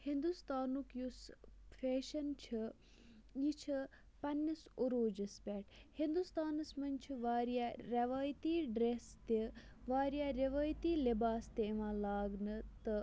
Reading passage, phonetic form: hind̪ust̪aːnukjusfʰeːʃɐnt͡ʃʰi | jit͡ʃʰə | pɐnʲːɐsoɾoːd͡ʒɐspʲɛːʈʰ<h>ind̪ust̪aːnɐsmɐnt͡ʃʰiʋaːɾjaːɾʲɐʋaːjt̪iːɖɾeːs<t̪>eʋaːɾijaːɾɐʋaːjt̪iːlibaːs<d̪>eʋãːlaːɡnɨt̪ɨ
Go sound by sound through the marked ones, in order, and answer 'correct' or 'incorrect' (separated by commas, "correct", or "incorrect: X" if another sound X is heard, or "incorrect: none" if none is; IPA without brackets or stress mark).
correct, correct, incorrect: t̪